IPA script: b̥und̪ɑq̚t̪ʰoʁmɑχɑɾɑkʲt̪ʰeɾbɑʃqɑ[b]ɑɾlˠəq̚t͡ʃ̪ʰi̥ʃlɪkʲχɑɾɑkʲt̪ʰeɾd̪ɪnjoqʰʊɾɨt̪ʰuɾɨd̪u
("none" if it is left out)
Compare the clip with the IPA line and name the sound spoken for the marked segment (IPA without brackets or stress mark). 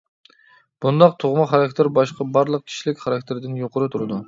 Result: b